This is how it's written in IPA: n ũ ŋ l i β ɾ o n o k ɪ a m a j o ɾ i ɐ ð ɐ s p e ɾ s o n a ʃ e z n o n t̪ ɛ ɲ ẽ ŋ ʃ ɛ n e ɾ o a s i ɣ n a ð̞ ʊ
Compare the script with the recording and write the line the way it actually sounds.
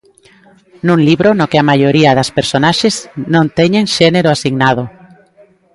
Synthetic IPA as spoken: n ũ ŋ l i β ɾ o n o k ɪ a m a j o ɾ i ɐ ð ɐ s p e ɾ s o n a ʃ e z n õ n t̪ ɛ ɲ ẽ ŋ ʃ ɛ n e ɾ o a s i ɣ n a ð̞ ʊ